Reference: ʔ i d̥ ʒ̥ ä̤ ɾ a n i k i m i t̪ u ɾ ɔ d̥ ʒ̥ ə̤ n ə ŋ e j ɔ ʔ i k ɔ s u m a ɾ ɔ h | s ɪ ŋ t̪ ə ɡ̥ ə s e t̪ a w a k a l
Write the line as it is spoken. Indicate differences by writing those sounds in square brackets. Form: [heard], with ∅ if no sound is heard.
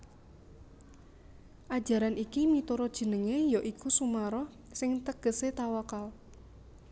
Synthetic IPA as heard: ʔ [a] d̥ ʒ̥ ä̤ ɾ a n i k i m i t̪ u ɾ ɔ d̥ ʒ̥ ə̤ n ə ŋ e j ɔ ʔ i k [u] s u m a ɾ ɔ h | s ɪ ŋ t̪ ə ɡ̥ ə s e t̪ a w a k a l